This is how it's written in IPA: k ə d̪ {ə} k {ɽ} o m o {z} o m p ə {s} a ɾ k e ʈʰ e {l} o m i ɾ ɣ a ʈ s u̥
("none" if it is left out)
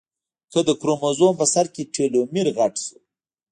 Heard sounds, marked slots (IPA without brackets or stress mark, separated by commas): ə, ɾ, z, s, l